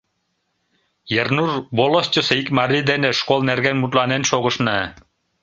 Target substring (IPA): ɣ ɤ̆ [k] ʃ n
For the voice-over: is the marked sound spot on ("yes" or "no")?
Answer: no